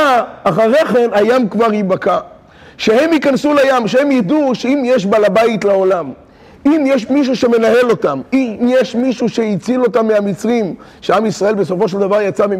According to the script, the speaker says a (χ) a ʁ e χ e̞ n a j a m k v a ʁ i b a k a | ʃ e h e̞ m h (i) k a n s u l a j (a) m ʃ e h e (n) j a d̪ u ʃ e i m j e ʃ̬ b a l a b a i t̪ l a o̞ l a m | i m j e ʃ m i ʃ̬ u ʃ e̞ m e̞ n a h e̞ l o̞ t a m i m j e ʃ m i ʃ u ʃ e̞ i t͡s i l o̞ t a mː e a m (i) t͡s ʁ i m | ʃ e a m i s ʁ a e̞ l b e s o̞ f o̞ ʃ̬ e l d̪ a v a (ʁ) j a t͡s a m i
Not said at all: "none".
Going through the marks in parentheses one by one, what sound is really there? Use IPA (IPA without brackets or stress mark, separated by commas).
χ, i, a, m, i, ʁ